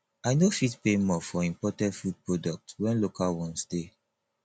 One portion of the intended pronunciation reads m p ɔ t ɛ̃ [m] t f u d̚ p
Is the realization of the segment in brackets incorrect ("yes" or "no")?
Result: yes